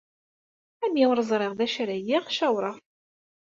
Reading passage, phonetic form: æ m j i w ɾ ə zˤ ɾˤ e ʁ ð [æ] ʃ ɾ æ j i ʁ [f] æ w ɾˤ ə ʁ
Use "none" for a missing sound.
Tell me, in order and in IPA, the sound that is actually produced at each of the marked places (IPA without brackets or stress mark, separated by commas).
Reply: æ, ʃ